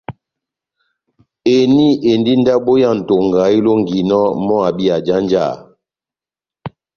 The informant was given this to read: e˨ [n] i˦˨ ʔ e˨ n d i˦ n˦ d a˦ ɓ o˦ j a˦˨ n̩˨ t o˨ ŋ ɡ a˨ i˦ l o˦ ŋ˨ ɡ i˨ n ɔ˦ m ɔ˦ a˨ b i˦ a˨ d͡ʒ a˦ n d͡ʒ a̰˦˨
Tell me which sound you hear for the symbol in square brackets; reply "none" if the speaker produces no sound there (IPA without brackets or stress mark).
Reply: n